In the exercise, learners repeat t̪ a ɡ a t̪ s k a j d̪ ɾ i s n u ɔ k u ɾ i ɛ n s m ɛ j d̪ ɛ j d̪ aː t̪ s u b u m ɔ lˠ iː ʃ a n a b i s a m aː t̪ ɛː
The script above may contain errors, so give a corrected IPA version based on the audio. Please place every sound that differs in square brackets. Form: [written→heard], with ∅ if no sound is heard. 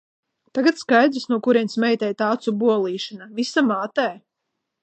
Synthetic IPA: t̪ a ɡ a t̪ s k a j d̪ ɾ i s n u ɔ k u ɾ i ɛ n s m ɛ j [d̪→t̪] ɛ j [d̪→t̪] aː t̪ s u b u [m→∅] ɔ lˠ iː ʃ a n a [b→v] i s a m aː t̪ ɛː